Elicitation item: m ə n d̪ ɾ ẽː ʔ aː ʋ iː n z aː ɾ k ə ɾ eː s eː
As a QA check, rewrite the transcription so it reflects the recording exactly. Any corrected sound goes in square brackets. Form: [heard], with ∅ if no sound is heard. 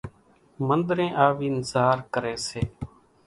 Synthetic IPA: m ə n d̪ ɾ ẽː ʔ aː ʋ iː n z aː ɾ k ə ɾ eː s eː